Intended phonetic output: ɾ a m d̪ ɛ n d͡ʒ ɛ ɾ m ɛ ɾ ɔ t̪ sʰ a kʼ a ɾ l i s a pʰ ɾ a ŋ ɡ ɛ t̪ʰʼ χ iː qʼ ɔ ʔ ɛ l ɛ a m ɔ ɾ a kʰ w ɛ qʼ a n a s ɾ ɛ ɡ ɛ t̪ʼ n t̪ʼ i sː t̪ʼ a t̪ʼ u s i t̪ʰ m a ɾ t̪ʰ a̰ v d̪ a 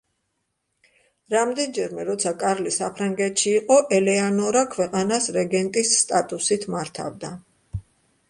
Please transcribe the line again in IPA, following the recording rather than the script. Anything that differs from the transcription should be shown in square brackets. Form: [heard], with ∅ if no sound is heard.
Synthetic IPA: ɾ a m d̪ ɛ n d͡ʒ ɛ ɾ m ɛ ɾ ɔ t̪ sʰ a kʼ a ɾ l i s a pʰ ɾ a ŋ ɡ ɛ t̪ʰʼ [ʃ] iː qʼ ɔ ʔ ɛ l ɛ a [n] ɔ ɾ a kʰ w ɛ qʼ a n a s ɾ ɛ ɡ ɛ [∅] n t̪ʼ i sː t̪ʼ a t̪ʼ u s i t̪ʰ m a ɾ t̪ʰ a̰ v d̪ a